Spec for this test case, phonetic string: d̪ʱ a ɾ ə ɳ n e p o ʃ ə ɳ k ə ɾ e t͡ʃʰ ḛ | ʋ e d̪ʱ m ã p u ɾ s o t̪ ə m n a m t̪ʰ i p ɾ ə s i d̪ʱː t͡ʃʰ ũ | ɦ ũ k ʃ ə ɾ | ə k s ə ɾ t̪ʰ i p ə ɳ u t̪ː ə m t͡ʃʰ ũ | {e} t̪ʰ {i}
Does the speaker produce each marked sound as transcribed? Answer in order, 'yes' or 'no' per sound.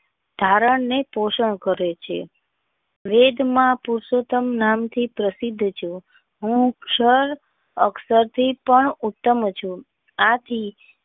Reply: no, yes

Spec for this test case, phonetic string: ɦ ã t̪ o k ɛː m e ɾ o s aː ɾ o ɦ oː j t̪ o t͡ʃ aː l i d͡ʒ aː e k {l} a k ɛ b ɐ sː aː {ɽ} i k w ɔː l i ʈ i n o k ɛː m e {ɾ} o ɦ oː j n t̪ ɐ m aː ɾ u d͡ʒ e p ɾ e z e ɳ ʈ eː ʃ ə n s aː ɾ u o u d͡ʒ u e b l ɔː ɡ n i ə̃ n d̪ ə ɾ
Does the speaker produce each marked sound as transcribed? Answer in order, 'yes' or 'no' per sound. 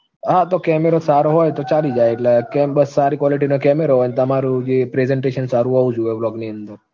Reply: yes, no, yes

